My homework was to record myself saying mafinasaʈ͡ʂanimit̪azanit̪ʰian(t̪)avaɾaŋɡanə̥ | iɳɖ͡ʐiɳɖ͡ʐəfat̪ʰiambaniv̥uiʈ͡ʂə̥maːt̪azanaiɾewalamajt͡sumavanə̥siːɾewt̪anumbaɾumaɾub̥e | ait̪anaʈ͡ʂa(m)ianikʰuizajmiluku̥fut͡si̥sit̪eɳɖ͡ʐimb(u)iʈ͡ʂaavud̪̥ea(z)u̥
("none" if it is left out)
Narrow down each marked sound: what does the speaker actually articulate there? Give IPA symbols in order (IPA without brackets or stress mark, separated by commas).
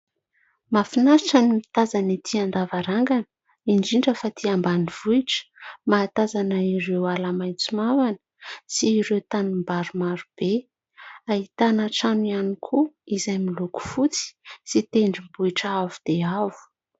d̪, n, u, v